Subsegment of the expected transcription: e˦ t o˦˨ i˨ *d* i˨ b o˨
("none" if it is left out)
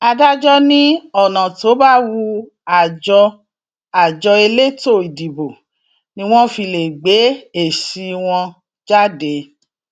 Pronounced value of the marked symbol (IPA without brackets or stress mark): d